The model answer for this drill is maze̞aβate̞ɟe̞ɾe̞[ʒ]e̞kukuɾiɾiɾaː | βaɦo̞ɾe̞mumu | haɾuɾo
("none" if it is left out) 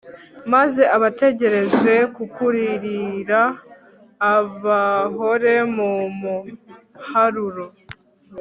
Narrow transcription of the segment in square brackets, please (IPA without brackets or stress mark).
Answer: z